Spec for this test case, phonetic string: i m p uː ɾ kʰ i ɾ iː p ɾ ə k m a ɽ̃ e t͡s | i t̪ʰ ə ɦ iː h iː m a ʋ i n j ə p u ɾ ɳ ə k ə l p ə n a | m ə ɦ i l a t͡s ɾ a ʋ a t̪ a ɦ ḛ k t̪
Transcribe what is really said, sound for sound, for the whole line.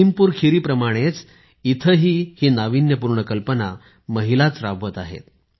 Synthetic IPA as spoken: i m p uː ɾ kʰ i ɾ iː p ɾ ə m a ɽ̃ e t͡s | i t̪ʰ ə ɦ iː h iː n a ʋ i n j ə p u ɾ ɳ ə k ə l p ə n a | m ə ɦ i l a t͡s ɾ a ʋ ə t̪ a ɦ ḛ t̪